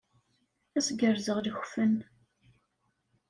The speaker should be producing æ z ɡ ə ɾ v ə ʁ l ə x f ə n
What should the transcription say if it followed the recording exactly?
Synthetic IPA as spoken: æ s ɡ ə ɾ z ə ʁ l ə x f ə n